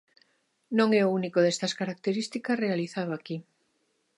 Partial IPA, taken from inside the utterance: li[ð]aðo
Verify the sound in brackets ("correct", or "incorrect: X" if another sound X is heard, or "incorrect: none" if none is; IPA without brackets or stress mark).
incorrect: θ